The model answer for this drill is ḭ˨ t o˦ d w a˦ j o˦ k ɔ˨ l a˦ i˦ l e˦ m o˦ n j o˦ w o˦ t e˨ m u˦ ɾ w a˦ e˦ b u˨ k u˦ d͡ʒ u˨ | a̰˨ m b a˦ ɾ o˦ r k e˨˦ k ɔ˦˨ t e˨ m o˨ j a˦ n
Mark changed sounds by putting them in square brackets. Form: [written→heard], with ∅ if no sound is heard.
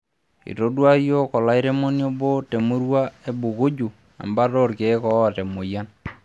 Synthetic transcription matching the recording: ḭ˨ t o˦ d w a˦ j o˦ k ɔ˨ l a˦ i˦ [l→ɾ] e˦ m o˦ n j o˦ [w→b] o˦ t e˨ m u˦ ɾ w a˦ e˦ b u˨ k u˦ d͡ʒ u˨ | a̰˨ m b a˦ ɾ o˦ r k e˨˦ k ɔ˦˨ t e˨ m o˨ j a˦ n